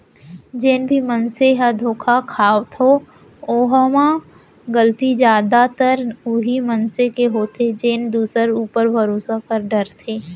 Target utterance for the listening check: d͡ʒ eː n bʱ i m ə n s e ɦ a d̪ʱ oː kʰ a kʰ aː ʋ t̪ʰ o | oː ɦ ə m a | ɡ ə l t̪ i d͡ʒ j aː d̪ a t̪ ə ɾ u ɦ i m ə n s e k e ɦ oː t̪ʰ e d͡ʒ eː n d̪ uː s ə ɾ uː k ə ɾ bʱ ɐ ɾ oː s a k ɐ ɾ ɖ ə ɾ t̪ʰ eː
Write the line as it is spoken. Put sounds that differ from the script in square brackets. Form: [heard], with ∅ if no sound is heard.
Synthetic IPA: d͡ʒ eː n bʱ i m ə n s e ɦ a d̪ʱ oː kʰ a kʰ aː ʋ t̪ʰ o | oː ɦ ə m a | ɡ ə l t̪ i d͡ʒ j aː d̪ a t̪ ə ɾ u ɦ i m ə n s e k e ɦ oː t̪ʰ e d͡ʒ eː n d̪ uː s ə ɾ uː [p] ə ɾ bʱ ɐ ɾ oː s a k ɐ ɾ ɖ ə ɾ t̪ʰ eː